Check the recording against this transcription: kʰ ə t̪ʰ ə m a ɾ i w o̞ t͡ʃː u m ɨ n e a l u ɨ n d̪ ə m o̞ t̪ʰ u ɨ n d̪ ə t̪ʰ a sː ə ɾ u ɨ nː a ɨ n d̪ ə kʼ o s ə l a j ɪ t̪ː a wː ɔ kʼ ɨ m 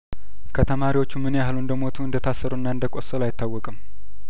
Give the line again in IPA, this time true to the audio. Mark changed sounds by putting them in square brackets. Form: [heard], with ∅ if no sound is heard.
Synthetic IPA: kʰ ə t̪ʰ ə m a ɾ i w o̞ t͡ʃː u m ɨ n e a l u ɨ n d̪ ə m o̞ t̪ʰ u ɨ n d̪ ə t̪ʰ a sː ə ɾ u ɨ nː a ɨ n d̪ ə kʼ o s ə l a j ɪ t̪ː a wː ɔ kʼ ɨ m